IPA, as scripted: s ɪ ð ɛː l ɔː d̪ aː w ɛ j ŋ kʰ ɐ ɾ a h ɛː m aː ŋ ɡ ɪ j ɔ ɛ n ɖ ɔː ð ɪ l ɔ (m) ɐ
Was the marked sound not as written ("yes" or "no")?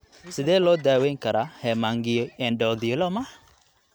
no